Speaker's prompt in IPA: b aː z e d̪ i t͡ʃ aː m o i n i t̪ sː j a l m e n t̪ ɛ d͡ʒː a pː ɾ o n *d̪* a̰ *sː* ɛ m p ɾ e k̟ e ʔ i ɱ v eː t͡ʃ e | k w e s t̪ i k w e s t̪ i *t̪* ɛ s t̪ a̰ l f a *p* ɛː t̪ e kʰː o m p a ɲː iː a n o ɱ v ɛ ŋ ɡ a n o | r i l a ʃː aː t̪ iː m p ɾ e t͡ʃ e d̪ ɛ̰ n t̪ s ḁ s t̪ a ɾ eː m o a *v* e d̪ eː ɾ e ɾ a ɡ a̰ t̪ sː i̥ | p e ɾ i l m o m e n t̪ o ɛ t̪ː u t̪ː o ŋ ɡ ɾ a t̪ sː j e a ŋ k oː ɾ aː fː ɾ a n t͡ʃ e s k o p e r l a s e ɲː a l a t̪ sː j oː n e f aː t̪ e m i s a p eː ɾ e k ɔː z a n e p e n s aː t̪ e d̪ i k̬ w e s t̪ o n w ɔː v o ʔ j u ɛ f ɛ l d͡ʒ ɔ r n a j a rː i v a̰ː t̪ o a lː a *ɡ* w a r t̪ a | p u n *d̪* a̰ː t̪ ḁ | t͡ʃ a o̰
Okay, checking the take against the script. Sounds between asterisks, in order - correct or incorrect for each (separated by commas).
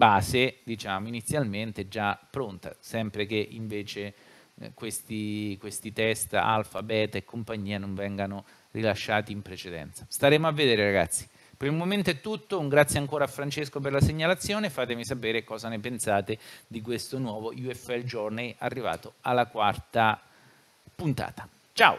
incorrect, incorrect, correct, incorrect, incorrect, incorrect, incorrect